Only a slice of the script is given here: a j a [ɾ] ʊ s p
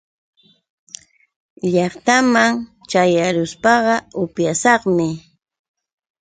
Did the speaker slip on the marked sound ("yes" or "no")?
no